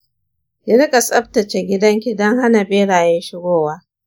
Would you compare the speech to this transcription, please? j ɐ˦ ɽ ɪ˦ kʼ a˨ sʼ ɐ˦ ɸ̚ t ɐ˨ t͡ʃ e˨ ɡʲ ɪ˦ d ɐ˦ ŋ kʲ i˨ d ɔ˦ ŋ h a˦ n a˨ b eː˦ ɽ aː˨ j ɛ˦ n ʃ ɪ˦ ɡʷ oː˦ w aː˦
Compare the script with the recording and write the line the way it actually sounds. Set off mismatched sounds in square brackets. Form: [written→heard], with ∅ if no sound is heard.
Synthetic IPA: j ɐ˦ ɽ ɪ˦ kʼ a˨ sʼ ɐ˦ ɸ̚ t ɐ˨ t͡ʃ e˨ ɡʲ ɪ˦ d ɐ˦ ŋ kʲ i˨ d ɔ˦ ŋ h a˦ n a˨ b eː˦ ɽ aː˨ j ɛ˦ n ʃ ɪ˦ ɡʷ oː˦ w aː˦

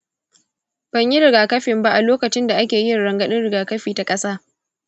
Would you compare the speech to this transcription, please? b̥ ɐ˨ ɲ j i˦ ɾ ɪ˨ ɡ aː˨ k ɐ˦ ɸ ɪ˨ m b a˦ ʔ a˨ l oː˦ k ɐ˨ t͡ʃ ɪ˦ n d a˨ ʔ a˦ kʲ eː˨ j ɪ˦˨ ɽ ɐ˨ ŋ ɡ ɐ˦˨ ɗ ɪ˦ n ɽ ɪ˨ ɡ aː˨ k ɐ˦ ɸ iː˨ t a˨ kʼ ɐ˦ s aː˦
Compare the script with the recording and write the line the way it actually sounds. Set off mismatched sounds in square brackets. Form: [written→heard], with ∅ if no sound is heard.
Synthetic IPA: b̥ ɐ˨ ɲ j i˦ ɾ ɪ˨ ɡ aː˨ k ɐ˦ ɸ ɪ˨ m b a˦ ʔ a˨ l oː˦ k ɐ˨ t͡ʃ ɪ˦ n d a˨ ʔ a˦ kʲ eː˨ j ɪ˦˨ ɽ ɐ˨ ŋ ɡ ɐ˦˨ ɗ ɪ˦ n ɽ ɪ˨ ɡ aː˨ k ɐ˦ ɸ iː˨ t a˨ kʼ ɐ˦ s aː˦

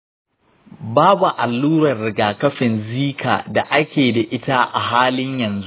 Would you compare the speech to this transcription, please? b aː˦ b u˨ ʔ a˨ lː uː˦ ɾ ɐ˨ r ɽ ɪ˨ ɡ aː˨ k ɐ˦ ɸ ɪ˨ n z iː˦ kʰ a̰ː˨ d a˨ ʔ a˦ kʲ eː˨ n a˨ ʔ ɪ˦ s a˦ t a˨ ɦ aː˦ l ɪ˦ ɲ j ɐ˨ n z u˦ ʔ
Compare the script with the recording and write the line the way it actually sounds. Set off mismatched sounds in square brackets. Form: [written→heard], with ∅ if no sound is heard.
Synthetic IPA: b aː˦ b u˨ ʔ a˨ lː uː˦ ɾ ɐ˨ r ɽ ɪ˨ ɡ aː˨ k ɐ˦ ɸ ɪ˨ n z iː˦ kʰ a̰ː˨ d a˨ ʔ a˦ kʲ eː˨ [n→d] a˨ ʔ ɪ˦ [s→t] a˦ [t→ʔ] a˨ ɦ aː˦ l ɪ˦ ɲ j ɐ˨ n z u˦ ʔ

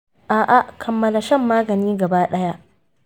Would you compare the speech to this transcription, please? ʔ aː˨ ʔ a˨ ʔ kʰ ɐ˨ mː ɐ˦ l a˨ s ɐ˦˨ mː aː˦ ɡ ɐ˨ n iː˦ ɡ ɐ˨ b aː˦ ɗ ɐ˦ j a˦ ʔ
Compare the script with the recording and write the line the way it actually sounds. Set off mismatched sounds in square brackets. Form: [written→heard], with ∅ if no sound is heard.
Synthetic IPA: ʔ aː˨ ʔ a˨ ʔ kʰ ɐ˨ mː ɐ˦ l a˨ [s→ʃ] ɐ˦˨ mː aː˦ ɡ ɐ˨ n iː˦ ɡ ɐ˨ b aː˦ ɗ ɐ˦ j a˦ ʔ

